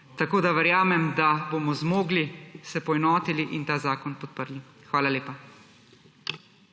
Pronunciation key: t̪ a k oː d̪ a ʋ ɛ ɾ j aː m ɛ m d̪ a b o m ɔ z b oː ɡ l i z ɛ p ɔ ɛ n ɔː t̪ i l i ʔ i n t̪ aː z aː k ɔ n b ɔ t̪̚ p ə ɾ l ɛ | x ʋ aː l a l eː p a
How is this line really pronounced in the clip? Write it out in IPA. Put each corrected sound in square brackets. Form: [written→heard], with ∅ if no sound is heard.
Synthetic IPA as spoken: t̪ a k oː d̪ a ʋ ɛ ɾ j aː m ɛ m d̪ a b o m ɔ z [b→m] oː ɡ l i [z→s] ɛ p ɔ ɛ n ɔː t̪ i l i ʔ i n t̪ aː z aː k ɔ n [b→p] ɔ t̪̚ p ə ɾ l [ɛ→i] | x ʋ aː l a l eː p a